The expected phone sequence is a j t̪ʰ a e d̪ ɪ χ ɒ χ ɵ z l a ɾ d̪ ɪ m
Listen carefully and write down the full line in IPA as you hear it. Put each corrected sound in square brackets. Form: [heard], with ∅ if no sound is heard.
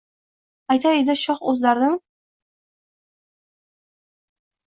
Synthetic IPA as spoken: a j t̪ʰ a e d̪ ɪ [ʃ] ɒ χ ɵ z l a ɾ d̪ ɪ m

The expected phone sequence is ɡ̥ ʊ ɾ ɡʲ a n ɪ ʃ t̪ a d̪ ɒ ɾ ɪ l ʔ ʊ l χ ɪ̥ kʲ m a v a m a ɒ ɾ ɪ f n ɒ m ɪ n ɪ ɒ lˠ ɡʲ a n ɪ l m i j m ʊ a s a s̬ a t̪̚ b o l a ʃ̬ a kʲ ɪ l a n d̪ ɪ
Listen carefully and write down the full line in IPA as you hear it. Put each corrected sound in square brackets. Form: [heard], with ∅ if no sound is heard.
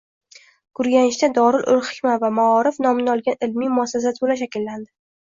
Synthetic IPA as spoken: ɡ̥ ʊ ɾ ɡʲ a n ɪ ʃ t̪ a d̪ ɒ ɾ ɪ l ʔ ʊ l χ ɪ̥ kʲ m a v a m a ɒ ɾ ɪ f n ɒ m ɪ n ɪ ɒ lˠ ɡʲ a n ɪ l m i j m ʊ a s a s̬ a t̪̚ b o l a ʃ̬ a kʲ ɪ [lː] a n d̪ ɪ

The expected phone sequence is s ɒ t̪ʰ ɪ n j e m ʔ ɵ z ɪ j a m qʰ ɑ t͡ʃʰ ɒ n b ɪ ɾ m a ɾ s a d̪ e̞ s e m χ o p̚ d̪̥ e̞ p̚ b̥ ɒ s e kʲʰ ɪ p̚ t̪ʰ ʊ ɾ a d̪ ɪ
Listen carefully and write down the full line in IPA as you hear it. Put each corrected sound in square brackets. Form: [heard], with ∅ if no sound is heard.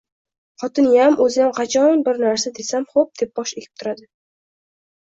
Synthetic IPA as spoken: [χ] ɒ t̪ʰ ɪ n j [a] m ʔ ɵ z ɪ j a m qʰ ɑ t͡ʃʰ ɒ n b ɪ ɾ [n] a ɾ s a d̪ e̞ s [a] m χ o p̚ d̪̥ e̞ p̚ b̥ ɒ [ʃ] e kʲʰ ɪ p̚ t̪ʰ ʊ ɾ a d̪ ɪ

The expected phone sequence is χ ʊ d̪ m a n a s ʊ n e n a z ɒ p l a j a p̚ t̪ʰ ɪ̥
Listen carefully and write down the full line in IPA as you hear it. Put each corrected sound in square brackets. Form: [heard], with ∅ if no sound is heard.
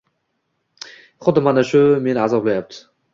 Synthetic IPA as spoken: χ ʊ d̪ m a n a [ʃ] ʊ [m] e n a z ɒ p l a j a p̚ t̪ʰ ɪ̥

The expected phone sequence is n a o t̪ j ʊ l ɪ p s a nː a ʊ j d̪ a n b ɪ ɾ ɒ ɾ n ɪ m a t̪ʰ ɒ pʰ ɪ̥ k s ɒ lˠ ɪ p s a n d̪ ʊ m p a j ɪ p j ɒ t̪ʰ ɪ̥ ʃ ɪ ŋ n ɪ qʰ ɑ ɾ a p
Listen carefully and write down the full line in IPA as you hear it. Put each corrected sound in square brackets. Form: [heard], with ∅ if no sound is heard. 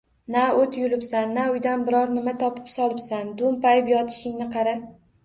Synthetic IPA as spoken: n a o t̪ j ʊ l ɪ p s a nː a ʊ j d̪ a n b ɪ ɾ ɒ ɾ n ɪ m a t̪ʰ ɒ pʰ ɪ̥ [p] s ɒ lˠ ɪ p s a n d̪ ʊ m p a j ɪ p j ɒ t̪ʰ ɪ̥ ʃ ɪ ŋ n ɪ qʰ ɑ ɾ a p

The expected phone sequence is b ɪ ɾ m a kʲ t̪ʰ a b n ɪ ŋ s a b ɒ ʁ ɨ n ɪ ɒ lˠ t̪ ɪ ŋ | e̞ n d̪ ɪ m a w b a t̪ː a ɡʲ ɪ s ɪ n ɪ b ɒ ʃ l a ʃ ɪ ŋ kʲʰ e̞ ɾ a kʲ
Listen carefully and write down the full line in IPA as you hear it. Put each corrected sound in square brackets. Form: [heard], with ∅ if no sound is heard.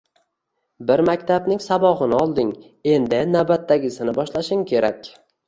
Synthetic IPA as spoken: b ɪ ɾ m a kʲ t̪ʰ a b n ɪ ŋ s a b ɒ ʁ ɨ n ɪ ɒ lˠ [d̪] ɪ ŋ | e̞ n d̪ ɪ [n] a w b a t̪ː a ɡʲ ɪ s ɪ n ɪ b ɒ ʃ l a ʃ ɪ ŋ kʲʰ e̞ ɾ a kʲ

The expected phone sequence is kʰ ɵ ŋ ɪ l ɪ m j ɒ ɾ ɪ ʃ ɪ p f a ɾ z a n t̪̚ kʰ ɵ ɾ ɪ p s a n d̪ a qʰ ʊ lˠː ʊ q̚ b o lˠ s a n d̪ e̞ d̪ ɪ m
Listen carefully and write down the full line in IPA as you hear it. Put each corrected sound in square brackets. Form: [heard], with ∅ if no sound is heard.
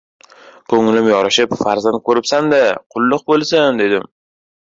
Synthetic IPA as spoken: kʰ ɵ ŋ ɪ l ɪ m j ɒ ɾ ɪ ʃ ɪ p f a ɾ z a n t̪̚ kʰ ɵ ɾ ɪ p s a n d̪ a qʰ ʊ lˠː ʊ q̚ b o lˠ s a n d̪ e̞ d̪ ɪ m

